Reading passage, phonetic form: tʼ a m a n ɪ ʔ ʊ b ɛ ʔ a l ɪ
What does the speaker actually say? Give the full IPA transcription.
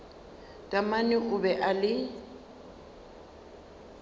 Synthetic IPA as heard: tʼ a m a n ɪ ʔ ʊ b ɛ ʔ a l ɪ